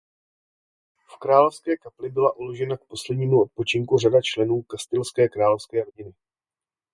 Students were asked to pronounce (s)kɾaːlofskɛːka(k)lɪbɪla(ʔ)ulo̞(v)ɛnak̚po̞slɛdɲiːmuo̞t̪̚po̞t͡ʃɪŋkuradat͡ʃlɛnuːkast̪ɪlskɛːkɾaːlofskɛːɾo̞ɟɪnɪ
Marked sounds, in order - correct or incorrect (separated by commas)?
incorrect, incorrect, correct, incorrect